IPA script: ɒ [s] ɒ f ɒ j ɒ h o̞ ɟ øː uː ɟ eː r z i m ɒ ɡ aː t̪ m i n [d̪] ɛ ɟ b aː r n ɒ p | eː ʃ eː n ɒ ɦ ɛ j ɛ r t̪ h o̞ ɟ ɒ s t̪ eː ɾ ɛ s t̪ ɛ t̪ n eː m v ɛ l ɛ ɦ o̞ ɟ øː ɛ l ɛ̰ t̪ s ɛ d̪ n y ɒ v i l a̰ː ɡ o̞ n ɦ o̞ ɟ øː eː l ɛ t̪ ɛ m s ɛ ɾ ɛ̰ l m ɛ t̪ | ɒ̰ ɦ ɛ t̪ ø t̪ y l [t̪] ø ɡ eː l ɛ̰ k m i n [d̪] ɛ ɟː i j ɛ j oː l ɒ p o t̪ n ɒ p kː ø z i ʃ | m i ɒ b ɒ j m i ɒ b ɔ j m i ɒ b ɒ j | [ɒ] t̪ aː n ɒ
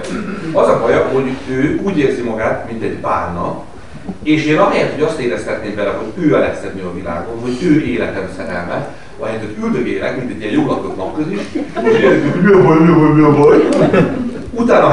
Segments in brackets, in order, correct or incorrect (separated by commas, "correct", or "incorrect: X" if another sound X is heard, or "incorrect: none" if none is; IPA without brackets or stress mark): incorrect: z, incorrect: t̪, incorrect: d̪, incorrect: t̪, incorrect: u